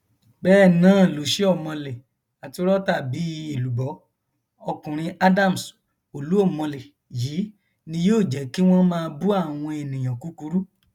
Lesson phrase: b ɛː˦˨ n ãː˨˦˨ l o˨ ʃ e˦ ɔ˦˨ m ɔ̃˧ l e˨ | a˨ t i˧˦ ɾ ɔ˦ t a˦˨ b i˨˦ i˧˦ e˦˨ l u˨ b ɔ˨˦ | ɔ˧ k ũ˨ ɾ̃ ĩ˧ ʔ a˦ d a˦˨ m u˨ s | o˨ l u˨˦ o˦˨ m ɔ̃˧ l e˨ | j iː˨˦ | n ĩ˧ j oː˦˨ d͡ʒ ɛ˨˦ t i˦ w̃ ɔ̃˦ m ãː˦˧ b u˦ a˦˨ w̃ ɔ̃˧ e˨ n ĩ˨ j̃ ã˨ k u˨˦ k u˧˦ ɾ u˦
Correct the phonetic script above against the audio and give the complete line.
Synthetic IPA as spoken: b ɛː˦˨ n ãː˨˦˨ l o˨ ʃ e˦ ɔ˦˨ m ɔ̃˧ l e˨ | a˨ t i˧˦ ɾ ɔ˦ t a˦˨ b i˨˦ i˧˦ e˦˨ l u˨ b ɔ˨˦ | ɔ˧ k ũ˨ ɾ̃ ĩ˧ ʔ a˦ d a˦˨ m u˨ s | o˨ l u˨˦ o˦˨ m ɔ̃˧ l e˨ | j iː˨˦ | n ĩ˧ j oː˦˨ d͡ʒ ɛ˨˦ k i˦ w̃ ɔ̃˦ m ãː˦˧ b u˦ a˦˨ w̃ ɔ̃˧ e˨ n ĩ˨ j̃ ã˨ k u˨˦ k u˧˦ ɾ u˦